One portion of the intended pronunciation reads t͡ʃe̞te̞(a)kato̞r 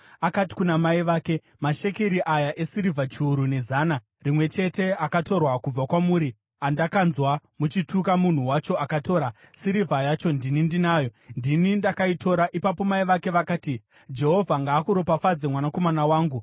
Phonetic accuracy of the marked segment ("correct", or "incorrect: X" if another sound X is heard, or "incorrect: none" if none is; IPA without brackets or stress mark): correct